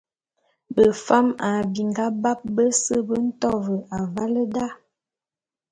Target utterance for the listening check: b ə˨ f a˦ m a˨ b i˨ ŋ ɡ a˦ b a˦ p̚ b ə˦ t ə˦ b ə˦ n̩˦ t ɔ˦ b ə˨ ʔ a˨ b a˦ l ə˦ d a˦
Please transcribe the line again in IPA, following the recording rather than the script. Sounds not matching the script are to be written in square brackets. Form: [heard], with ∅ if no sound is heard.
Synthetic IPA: b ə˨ f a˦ m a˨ b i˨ ŋ ɡ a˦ b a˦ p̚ b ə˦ [s] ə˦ b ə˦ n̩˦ t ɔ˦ [v] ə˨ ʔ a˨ [v] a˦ l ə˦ d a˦